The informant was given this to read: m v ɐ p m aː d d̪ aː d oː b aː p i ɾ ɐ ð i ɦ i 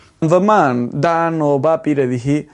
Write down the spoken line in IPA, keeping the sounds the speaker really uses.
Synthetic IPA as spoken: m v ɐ m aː n d̪ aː n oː b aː p i ɾ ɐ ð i ɦ i